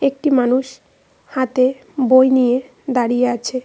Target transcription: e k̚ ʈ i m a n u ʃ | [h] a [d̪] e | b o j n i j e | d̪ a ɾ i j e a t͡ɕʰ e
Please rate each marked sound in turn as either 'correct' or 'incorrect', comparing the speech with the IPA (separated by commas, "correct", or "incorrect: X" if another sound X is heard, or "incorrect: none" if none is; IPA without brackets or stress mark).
correct, incorrect: t̪